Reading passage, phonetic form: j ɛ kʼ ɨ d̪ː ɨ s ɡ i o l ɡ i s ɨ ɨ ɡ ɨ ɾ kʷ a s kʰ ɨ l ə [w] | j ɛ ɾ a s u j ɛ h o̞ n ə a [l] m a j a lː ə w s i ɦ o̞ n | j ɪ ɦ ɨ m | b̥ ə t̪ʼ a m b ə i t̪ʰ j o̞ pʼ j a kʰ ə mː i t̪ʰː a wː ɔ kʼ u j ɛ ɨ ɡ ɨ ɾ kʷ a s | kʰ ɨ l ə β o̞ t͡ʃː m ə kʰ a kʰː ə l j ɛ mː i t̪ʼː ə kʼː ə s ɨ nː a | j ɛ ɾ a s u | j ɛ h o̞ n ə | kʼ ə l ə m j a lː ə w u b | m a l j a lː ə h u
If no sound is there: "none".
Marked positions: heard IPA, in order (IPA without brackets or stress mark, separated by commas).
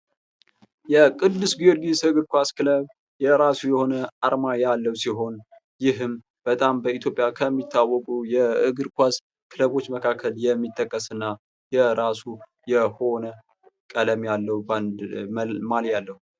β, ɾ